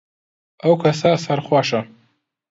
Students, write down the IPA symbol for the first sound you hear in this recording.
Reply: a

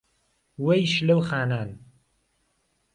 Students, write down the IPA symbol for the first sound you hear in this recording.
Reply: w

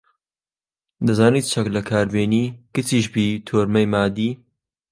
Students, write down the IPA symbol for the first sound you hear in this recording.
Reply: d̪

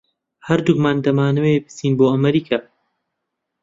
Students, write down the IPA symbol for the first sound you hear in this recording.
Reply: h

